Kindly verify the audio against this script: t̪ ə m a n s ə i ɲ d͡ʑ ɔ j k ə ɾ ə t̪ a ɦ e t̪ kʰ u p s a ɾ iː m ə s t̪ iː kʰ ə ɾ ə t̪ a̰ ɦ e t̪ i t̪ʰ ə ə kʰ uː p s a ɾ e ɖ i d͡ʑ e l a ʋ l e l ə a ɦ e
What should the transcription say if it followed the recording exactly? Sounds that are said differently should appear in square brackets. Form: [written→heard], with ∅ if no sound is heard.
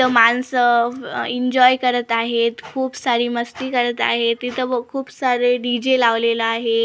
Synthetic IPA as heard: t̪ ə m a n s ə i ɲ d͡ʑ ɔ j k ə ɾ ə t̪ a ɦ e t̪ kʰ [u→uː] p s a ɾ iː m ə s t̪ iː [kʰ→k] ə ɾ ə t̪ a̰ ɦ e t̪ i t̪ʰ ə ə kʰ uː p s a ɾ e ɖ i d͡ʑ e l a ʋ l e l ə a ɦ e

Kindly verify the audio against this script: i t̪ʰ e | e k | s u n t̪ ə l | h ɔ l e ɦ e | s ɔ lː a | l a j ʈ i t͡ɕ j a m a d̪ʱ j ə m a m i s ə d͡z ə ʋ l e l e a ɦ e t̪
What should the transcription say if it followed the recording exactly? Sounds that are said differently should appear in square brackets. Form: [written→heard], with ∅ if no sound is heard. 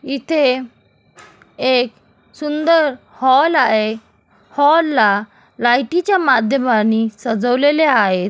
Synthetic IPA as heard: i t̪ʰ e | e k | s u n [t̪→d̪] ə [l→ɾ] | h ɔ l [e→a] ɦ e | [s→h] ɔ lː a | l a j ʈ i t͡ɕ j a m a d̪ʱ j ə m a [m→n] i s ə d͡z ə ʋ l e l e a ɦ e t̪

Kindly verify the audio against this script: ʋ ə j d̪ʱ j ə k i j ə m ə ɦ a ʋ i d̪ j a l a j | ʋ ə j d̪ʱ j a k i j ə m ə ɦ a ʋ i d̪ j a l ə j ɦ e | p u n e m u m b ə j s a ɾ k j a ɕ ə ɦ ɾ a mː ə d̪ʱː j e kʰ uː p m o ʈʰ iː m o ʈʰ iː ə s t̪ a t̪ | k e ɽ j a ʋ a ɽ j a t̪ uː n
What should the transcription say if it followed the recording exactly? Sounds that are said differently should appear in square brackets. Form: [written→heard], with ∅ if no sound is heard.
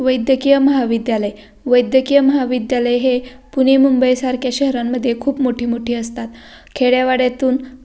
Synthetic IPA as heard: ʋ ə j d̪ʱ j ə k i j ə m ə ɦ a ʋ i d̪ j a l [a→ə] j | ʋ ə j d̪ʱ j [a→ə] k i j ə m ə ɦ a ʋ i d̪ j a l ə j ɦ e | p u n e m u m b ə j s a ɾ k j a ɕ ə ɦ ɾ a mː ə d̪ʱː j e kʰ uː p m o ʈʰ iː m o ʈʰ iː ə s t̪ a t̪ | [k→kʰ] e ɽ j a ʋ a ɽ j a t̪ uː n

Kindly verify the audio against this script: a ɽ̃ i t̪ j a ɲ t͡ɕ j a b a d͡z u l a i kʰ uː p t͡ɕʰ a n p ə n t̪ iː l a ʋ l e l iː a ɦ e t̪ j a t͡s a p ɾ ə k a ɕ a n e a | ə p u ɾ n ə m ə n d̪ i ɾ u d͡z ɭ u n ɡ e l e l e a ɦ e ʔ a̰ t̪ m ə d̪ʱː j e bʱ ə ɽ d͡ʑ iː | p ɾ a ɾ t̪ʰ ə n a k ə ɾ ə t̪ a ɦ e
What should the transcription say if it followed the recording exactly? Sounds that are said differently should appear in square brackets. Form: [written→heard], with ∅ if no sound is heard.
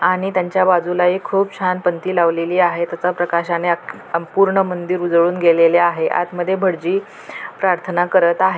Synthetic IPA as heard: a ɽ̃ i t̪ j a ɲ t͡ɕ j a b a d͡z u l a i kʰ uː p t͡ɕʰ a n p ə n t̪ iː l a ʋ l e l iː a ɦ e t̪ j a t͡s a p ɾ ə k a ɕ a n e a | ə p u ɾ [n→ɳ] ə m ə n d̪ i ɾ u d͡z ɭ [u→uː] n ɡ e l e l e a ɦ e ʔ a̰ t̪ m ə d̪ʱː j e bʱ ə ɽ d͡ʑ iː | p ɾ a ɾ t̪ʰ ə n a k ə ɾ ə t̪ a ɦ e

